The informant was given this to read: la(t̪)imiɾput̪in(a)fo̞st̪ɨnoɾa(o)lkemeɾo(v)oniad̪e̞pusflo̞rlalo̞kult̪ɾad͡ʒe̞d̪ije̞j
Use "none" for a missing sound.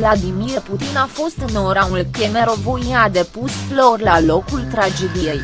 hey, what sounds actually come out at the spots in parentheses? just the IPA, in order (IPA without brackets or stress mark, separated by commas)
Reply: d̪, a, u, v